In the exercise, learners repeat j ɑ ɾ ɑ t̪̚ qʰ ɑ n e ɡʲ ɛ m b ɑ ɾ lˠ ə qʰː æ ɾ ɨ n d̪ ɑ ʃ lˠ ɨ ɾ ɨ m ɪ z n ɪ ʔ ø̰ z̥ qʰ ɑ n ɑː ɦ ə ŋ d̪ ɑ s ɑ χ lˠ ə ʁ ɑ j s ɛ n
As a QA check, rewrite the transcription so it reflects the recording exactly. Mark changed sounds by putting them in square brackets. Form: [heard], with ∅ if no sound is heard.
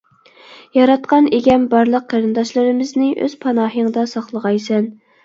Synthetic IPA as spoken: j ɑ ɾ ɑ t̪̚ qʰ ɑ n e ɡʲ ɛ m b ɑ ɾ lˠ ə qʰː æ ɾ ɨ n d̪ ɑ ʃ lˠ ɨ ɾ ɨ m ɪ z n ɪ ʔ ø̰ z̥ [pʰ] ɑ n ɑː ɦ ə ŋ d̪ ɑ s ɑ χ lˠ ə ʁ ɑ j s ɛ n